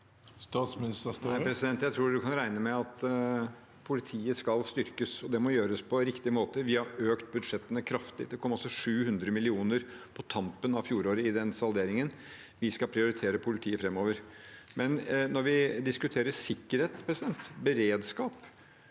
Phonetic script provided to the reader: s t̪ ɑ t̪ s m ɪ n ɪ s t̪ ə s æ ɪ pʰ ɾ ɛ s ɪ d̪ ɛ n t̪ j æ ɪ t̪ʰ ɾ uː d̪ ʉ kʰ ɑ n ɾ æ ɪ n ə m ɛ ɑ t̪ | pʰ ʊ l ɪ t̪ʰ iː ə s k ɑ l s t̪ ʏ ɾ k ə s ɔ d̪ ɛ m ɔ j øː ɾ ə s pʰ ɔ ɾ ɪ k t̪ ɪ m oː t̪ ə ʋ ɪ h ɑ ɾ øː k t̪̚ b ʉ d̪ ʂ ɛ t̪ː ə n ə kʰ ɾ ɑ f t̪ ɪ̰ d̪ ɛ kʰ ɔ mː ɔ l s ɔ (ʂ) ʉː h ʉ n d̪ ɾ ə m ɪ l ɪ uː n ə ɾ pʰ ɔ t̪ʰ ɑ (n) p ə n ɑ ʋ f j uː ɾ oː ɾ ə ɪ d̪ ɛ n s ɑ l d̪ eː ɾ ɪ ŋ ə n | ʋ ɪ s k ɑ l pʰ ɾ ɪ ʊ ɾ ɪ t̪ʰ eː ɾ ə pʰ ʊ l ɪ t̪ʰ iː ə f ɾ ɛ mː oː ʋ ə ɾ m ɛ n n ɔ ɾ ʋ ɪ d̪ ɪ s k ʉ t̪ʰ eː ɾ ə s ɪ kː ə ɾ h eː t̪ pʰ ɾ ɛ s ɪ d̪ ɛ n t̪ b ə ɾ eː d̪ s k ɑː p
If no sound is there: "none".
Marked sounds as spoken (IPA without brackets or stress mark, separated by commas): ʂ, m